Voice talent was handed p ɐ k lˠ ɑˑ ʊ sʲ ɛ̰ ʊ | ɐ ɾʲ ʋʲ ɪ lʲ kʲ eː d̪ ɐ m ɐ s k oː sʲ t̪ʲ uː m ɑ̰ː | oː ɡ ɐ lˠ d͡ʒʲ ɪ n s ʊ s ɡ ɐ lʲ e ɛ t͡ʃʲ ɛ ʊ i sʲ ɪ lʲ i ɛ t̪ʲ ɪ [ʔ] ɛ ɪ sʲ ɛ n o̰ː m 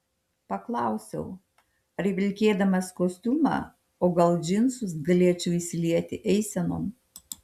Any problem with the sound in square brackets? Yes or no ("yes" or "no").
no